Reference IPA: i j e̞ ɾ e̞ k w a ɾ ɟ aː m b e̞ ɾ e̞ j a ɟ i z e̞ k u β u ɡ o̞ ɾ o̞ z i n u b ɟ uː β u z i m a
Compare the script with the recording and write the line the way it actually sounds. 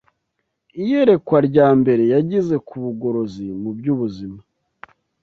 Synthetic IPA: i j e̞ ɾ e̞ k w a ɾ ɟ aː m b e̞ ɾ e̞ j a ɟ i z e̞ k u β u ɡ o̞ ɾ o̞ z i m u b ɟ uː β u z i m a